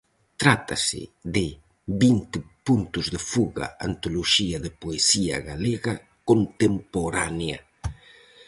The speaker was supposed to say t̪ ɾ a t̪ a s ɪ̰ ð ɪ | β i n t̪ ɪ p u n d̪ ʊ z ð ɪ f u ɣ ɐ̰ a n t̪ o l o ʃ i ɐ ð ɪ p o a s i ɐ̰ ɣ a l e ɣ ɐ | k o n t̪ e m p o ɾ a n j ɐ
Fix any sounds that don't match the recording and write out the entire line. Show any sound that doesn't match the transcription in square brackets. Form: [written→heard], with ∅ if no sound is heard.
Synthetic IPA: t̪ ɾ a t̪ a s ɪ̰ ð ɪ | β i n t̪ ɪ p u n [d̪→t̪] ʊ z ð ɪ f u ɣ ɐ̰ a n t̪ o l o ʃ i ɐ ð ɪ p o [a→e] s i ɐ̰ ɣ a l e ɣ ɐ | k o n t̪ e m p o ɾ a n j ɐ